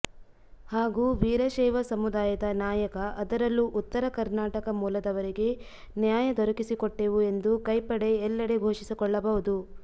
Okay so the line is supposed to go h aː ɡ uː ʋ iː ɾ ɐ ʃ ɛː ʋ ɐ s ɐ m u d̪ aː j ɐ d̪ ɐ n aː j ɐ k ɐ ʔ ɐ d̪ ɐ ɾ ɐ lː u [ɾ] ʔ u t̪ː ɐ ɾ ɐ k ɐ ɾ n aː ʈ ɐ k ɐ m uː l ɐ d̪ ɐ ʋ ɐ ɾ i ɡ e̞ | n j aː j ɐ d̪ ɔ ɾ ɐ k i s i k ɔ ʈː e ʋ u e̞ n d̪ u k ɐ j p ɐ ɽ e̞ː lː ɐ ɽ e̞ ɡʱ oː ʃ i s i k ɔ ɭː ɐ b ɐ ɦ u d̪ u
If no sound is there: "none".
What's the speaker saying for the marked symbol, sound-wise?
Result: none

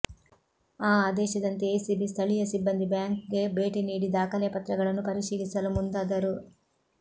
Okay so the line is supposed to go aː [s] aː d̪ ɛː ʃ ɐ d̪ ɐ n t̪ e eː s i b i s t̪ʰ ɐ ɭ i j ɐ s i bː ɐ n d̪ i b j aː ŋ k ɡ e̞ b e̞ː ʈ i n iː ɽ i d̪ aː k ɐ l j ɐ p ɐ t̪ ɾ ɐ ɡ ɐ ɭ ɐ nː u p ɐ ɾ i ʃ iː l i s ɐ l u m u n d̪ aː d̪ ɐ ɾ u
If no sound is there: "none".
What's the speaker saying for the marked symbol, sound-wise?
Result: none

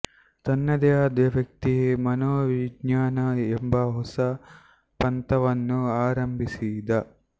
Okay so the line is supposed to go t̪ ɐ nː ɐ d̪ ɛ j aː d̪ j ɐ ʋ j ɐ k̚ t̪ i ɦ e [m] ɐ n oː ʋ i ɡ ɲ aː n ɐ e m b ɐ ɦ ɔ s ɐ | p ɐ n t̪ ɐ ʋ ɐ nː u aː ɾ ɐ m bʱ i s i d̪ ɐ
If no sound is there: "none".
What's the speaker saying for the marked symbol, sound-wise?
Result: m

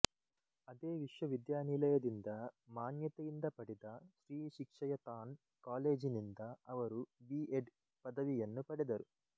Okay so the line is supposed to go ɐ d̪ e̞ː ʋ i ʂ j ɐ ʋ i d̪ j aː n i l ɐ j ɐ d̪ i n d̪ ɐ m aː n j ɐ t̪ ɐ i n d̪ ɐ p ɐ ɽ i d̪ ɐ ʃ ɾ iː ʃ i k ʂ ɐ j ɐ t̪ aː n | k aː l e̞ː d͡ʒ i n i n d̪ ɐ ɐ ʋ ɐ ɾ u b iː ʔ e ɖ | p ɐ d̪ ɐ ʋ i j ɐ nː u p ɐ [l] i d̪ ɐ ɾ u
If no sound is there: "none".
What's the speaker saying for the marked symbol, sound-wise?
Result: ɽ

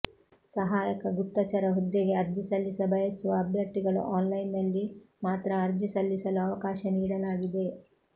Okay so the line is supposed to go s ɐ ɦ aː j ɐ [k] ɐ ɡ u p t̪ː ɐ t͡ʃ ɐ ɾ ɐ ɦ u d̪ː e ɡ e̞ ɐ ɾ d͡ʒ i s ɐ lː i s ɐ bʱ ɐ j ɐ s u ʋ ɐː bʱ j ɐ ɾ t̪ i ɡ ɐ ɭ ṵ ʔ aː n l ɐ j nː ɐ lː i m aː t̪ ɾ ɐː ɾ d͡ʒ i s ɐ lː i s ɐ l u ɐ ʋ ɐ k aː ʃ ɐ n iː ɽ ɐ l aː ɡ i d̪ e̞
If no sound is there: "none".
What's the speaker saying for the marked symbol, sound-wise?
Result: k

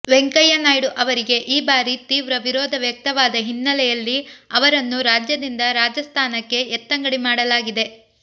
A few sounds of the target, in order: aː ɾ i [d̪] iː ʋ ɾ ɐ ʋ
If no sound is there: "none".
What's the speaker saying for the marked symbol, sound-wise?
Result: t̪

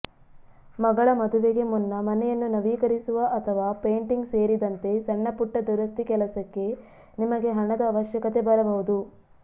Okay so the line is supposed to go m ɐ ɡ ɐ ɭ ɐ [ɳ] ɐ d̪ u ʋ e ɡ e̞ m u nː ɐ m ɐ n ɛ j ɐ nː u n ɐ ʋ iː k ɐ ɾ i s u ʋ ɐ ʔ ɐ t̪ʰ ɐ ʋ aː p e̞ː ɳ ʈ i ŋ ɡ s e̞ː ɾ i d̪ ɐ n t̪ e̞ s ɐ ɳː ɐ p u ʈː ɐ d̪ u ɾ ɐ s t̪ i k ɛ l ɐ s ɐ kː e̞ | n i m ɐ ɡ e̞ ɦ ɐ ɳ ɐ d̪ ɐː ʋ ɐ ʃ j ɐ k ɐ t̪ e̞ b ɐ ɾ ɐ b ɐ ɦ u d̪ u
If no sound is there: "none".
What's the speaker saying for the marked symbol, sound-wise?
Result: m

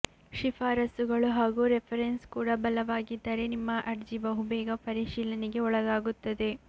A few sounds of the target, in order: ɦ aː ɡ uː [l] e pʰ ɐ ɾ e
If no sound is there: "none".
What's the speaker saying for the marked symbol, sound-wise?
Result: ɾ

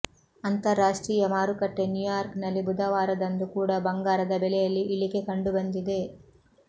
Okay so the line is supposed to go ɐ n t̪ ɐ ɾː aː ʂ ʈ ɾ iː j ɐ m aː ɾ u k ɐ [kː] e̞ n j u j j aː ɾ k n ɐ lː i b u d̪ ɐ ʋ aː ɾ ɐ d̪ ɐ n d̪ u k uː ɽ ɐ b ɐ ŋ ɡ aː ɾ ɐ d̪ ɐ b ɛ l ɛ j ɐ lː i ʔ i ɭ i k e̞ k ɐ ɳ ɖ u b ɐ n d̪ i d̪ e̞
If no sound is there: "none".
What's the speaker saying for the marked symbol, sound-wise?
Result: ʈː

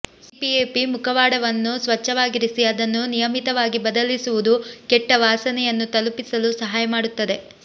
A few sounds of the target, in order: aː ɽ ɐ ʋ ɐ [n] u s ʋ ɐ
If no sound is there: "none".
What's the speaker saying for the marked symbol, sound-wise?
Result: nː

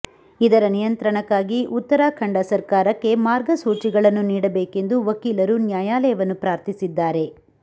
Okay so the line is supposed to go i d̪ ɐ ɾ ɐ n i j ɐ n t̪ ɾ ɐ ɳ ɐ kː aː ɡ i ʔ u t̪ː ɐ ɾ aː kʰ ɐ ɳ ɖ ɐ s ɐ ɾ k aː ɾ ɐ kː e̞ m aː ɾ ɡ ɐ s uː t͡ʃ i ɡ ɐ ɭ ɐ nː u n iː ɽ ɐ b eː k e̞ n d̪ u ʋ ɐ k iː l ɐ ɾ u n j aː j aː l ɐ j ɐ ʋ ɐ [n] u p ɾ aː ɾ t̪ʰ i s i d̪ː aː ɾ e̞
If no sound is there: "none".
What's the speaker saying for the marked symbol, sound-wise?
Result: nː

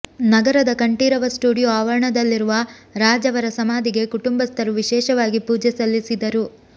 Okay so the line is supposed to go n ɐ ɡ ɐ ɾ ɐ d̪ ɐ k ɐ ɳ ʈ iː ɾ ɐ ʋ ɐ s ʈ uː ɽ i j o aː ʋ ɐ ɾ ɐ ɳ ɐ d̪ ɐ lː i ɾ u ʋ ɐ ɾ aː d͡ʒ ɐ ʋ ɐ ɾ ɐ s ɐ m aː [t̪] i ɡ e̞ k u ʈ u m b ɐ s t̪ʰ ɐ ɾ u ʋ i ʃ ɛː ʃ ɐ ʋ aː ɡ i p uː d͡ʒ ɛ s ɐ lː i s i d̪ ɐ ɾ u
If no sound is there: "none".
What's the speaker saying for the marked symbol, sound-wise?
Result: d̪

